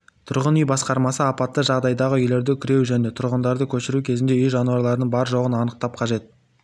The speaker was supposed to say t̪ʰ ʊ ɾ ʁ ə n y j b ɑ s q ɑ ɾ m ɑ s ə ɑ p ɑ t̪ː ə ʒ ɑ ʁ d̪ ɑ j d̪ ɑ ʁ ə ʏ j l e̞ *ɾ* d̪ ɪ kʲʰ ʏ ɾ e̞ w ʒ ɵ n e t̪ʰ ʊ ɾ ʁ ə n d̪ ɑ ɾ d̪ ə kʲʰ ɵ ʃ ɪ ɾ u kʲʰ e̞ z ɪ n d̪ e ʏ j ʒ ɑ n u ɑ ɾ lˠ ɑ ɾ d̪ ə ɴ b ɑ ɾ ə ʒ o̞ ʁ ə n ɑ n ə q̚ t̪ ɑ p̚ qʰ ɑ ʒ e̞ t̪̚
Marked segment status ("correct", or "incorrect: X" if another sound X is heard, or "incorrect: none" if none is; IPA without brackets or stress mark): correct